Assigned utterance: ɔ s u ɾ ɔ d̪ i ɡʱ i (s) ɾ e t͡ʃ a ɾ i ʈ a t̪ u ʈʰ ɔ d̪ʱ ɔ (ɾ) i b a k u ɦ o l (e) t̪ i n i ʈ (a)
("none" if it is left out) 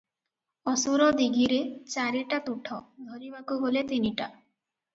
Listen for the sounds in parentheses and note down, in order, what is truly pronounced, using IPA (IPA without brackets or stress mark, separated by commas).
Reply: none, ɾ, e, a